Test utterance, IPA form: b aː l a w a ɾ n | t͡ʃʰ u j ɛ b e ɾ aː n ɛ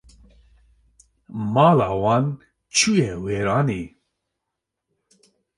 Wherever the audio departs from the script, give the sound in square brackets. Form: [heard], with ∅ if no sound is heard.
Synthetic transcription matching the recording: [m] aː l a w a [∅] n | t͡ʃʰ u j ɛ [w] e ɾ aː n [i]